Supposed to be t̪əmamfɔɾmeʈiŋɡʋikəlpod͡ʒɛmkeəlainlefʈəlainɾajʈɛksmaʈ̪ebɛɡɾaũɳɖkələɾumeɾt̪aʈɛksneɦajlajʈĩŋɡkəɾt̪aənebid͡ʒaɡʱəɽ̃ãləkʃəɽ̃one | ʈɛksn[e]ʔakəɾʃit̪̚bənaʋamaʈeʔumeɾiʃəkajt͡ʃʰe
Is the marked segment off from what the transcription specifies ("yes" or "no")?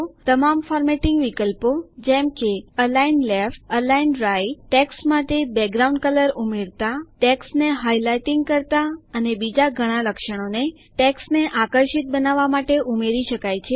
no